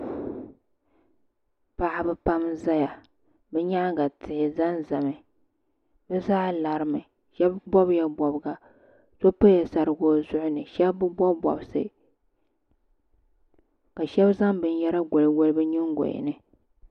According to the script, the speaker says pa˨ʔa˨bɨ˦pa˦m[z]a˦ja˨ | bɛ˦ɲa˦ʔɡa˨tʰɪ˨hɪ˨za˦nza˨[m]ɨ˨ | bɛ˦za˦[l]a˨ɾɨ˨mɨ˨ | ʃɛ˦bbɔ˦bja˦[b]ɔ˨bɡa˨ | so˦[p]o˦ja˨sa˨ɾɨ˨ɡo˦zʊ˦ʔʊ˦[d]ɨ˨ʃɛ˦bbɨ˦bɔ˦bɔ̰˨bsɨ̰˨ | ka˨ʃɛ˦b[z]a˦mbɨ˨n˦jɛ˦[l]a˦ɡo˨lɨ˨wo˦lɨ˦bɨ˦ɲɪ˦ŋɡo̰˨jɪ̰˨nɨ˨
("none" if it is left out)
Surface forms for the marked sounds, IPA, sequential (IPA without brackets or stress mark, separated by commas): z, m, l, b, p, n, z, ɾ